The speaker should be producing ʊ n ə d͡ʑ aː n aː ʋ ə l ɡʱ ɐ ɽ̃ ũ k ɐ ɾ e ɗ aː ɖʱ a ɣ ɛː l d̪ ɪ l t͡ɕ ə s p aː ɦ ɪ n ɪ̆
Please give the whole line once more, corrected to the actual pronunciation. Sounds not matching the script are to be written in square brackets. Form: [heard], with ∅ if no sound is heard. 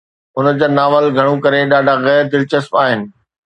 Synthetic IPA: ʊ n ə d͡ʑ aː n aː ʋ ə l ɡʱ ɐ ɽ̃ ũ k ɐ ɾ e ɗ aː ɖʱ a ɣ ɛː [ɾ] d̪ ɪ l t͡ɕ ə s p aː ɦ ɪ n ɪ̆